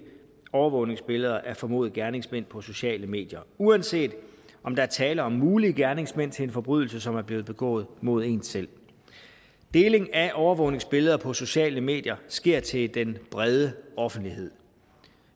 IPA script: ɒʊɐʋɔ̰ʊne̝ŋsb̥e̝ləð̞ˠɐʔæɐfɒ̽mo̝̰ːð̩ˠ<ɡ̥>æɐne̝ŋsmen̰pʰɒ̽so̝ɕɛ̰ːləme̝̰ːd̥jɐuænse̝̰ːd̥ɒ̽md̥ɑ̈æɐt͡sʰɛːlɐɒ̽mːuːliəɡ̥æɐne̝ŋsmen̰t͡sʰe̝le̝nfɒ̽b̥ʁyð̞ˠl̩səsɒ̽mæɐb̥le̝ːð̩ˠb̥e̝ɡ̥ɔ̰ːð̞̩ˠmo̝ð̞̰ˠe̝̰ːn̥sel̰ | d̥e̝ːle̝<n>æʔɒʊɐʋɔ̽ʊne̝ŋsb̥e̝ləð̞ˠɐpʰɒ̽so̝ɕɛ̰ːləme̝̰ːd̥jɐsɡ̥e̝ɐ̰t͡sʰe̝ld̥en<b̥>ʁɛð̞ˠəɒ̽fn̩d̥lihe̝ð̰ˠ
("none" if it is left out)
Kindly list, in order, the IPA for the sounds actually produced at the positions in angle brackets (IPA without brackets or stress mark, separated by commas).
ɡ̥, ŋ, b̥